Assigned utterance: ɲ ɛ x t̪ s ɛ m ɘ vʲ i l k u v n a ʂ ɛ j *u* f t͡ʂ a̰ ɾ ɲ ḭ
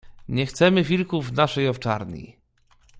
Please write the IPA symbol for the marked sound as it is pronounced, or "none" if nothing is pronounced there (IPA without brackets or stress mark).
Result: ɔ